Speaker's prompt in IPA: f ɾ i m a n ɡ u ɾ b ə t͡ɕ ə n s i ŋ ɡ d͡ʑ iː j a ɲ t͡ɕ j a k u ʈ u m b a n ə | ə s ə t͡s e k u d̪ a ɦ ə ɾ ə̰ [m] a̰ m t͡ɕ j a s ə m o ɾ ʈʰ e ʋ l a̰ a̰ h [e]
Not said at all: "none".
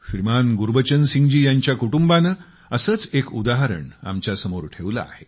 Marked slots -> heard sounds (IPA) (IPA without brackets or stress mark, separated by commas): ɳ, e